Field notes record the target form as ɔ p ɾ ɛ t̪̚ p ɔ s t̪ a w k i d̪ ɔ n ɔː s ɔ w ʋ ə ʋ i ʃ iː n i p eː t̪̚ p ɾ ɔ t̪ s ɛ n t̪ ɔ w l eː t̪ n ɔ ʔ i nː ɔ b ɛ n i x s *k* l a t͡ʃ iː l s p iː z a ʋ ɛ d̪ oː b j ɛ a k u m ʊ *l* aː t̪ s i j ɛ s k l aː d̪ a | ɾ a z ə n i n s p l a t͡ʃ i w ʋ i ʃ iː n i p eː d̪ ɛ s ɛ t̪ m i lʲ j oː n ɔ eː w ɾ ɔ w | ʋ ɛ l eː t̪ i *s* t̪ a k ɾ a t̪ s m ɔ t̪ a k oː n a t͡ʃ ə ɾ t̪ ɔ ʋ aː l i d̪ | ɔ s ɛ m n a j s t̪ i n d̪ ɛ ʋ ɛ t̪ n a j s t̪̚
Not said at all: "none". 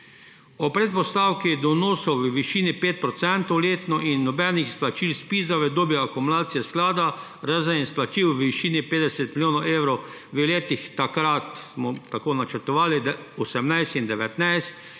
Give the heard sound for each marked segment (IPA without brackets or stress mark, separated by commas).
p, l, x